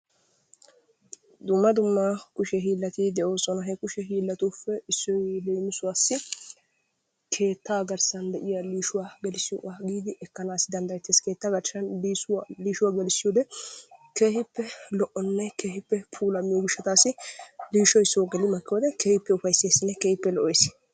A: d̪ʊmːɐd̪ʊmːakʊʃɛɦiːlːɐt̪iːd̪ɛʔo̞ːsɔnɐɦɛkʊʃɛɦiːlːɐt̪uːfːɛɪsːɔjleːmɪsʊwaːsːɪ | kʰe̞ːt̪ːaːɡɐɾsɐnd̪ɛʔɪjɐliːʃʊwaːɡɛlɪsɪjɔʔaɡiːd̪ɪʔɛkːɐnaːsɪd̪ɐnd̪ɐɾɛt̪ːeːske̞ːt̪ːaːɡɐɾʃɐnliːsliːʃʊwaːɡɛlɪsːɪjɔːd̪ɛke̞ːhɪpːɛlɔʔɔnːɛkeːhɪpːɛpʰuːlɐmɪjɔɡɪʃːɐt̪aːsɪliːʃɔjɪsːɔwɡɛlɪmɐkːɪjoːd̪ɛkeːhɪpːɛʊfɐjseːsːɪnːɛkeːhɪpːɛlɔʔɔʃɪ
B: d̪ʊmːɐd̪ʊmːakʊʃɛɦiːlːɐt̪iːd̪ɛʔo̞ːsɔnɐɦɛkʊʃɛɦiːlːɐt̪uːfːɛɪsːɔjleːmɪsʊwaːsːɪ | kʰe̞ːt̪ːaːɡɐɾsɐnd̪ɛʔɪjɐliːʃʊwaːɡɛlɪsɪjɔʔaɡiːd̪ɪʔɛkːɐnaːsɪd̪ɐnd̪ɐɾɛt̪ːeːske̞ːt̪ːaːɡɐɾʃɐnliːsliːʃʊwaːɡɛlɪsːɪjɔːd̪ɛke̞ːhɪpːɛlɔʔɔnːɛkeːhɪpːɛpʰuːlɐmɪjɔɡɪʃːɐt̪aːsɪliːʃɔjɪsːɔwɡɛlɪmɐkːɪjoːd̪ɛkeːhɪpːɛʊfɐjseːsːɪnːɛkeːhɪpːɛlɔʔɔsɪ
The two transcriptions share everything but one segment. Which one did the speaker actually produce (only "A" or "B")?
B